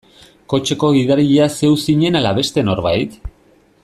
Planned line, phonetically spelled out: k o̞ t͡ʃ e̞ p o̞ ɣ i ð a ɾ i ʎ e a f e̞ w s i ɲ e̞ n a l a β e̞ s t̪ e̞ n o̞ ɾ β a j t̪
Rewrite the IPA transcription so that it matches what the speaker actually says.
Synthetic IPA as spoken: k o̞ t͡ʃ e̞ k o̞ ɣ i ð a ɾ i ʎ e a s e̞ w s i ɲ e̞ n a l a β e̞ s t̪ e̞ n o̞ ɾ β a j t̪